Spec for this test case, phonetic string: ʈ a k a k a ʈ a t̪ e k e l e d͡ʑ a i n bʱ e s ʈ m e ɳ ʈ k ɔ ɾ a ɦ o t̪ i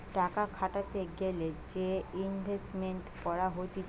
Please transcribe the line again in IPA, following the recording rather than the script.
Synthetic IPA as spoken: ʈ a k a kʰ a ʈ a t̪ e ɡ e l e d͡ʑ e i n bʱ e s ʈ m e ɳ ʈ k ɔ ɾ a ɦ o t̪ i